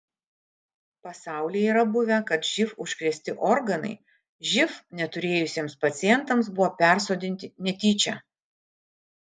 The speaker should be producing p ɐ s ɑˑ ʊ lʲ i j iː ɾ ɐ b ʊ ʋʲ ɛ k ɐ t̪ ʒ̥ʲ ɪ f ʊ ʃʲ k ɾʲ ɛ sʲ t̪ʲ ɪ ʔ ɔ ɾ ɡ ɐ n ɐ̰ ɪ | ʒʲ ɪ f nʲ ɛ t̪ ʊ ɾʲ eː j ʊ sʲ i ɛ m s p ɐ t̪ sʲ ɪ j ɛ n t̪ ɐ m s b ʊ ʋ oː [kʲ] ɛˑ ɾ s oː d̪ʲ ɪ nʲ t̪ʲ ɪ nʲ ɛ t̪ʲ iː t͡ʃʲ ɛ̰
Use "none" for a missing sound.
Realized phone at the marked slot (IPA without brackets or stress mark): pʲ